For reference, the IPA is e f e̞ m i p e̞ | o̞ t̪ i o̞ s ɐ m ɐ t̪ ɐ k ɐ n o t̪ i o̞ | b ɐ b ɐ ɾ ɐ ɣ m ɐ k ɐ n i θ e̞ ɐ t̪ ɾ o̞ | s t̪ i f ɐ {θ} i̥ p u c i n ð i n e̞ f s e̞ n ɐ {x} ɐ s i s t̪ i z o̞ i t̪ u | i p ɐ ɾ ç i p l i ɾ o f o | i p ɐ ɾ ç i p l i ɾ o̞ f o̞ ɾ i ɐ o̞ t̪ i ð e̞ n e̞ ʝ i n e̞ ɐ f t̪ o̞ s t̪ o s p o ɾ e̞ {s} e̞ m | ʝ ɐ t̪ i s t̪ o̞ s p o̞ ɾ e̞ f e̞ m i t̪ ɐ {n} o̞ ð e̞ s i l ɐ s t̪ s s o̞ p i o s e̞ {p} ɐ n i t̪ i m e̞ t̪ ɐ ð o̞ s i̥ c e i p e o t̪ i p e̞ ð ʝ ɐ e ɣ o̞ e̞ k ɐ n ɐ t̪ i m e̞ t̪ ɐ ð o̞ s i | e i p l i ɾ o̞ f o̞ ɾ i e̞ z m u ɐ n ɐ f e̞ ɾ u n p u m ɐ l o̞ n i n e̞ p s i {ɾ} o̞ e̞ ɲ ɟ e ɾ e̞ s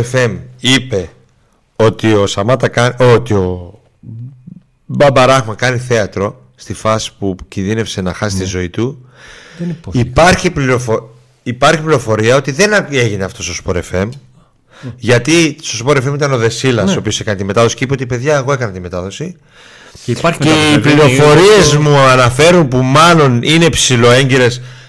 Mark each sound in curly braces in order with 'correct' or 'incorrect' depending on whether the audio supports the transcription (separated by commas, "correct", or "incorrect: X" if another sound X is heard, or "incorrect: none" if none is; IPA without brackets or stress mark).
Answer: incorrect: s, correct, incorrect: f, correct, incorrect: k, incorrect: l